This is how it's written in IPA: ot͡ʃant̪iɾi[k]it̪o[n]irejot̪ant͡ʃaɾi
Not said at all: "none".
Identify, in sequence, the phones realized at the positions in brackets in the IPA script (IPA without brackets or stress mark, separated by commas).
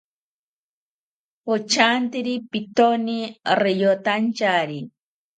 p, n